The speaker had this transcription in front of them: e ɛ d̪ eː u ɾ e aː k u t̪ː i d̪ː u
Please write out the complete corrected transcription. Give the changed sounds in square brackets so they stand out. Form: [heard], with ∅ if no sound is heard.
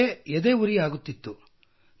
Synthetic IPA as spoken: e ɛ d̪ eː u ɾ [i] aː [ɡ] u t̪ː i [t̪ː] u